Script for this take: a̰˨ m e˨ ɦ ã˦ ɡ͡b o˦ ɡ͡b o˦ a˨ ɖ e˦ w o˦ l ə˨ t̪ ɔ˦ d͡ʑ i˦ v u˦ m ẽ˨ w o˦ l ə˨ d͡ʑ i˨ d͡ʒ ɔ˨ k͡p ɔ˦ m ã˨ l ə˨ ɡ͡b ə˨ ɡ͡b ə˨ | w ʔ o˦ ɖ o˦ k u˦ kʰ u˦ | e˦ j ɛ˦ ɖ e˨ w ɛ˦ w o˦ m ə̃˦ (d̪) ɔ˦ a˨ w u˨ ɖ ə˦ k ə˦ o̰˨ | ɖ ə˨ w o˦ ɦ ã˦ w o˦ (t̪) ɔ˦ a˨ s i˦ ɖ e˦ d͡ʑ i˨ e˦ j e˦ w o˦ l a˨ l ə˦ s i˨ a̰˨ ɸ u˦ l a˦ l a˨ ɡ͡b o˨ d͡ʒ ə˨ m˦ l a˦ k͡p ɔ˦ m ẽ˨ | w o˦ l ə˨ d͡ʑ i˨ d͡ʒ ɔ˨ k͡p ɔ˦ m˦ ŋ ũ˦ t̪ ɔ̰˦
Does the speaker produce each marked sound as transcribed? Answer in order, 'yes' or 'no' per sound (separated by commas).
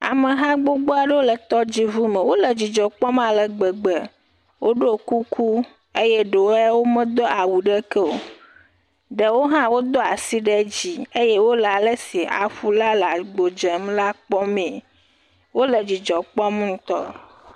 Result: yes, no